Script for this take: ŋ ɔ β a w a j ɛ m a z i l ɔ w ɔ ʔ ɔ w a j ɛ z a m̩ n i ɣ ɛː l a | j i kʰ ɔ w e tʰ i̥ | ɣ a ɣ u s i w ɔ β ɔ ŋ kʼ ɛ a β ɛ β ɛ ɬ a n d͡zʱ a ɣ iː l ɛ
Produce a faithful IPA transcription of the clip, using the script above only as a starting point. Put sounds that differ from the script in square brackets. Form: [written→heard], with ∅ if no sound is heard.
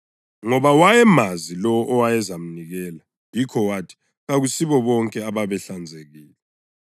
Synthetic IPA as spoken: ŋ ɔ β a w a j ɛ m a z i l ɔ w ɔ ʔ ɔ w a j ɛ z a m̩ n i ɣ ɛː l a | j i kʰ ɔ w [e→a] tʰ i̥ | ɣ a ɣ u s i [w→β] ɔ β ɔ ŋ kʼ ɛ a β [ɛ→a] β ɛ ɬ a n d͡zʱ [a→e] ɣ iː l ɛ